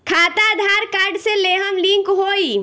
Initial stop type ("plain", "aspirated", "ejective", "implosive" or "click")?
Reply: aspirated